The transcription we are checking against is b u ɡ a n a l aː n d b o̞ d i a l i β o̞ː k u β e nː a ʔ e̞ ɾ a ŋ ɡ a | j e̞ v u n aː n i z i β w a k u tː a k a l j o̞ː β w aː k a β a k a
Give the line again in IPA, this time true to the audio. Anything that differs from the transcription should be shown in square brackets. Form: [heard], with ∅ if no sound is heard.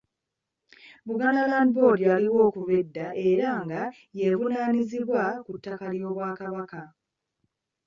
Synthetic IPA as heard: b u ɡ a n a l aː n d b o̞ d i a l i [w] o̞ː k u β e [dː] a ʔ e̞ ɾ a ŋ ɡ a | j e̞ v u n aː n i z i β w a k u tː a k a l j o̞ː β w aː k a β a k a